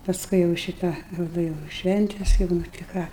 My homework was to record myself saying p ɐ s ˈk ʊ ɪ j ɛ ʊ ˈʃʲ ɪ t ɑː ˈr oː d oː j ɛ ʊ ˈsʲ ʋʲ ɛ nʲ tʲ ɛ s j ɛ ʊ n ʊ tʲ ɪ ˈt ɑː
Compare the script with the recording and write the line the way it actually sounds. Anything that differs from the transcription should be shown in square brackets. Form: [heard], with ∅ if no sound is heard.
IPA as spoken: p ɐ s ˈk ʊ ɪ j ɛ ʊ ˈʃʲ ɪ t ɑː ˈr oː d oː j ɛ ʊ [ˈʃʲ] ʋʲ ɛ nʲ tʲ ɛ s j ɛ ʊ n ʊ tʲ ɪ [ˈk] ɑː

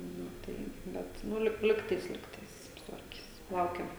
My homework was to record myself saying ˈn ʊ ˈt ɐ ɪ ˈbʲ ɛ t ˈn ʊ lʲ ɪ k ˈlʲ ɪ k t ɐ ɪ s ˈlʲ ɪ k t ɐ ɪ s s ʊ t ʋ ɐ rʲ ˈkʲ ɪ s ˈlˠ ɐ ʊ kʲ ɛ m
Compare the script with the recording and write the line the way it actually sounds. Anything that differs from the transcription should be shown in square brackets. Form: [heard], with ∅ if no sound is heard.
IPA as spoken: ˈn ʊ ˈt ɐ ɪ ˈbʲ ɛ t ˈn ʊ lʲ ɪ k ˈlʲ ɪ k t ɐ ɪ s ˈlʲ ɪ k t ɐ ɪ s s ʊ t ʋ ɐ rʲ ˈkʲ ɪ s ˈlˠ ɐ ʊ kʲ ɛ m

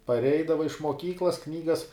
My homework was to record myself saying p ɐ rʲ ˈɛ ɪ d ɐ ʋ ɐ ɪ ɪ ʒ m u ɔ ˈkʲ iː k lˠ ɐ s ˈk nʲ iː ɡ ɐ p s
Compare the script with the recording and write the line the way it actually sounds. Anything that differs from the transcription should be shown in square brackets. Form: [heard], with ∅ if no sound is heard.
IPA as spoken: p ɐ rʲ ˈɛ ɪ d ɐ ʋ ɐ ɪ ɪ [ʃ] m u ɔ ˈkʲ iː k lˠ ɐ s ˈk nʲ iː ɡ ɐ [∅] s

